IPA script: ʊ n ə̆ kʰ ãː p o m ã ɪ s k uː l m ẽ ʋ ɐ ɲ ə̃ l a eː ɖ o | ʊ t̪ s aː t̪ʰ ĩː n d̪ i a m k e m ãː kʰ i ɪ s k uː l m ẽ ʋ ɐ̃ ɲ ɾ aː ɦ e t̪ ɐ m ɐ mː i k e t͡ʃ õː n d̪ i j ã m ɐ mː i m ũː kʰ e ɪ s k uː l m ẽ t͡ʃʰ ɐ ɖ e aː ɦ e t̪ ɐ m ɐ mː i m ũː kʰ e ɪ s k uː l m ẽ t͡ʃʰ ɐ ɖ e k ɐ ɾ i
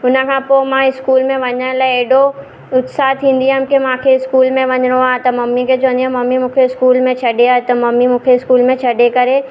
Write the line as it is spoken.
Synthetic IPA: ʊ n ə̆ kʰ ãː p o m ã ɪ s k uː l m ẽ ʋ ɐ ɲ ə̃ l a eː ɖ o | ʊ t̪ s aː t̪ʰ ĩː n d̪ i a m k e m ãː kʰ e ɪ s k uː l m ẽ ʋ ɐ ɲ ɾ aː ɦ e t̪ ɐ m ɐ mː i k e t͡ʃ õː n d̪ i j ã m ɐ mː i m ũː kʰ e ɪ s k uː l m ẽ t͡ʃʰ ɐ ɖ e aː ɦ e t̪ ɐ m ɐ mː i m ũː kʰ e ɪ s k uː l m ẽ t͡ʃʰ ɐ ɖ e k ɐ ɾ e